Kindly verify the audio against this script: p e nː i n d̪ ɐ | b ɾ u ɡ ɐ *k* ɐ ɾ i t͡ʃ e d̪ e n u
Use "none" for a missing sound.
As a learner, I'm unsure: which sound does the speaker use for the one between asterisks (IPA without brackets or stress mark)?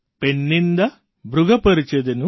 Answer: p